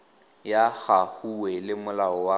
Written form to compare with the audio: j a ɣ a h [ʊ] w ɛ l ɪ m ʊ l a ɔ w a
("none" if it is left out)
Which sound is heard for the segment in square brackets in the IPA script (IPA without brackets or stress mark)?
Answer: u